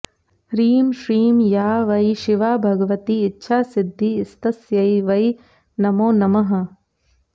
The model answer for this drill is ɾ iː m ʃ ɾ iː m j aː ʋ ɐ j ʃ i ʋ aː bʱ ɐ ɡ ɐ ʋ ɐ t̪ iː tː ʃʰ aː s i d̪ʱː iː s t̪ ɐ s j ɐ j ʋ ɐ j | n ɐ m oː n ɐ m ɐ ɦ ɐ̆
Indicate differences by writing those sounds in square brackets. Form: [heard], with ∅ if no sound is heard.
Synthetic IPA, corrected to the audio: ɾ iː m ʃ ɾ iː m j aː ʋ ɐ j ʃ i ʋ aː bʱ ɐ ɡ ɐ ʋ ɐ t̪ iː tː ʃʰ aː s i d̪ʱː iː s t̪ ɐ s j ɐ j ʋ ɐ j | n ɐ m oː n ɐ m ɐ ɦ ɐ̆